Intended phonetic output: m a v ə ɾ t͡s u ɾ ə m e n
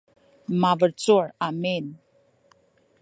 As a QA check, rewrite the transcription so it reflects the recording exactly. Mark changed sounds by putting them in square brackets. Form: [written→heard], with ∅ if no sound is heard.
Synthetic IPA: m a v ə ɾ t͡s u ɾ [ə→a] m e n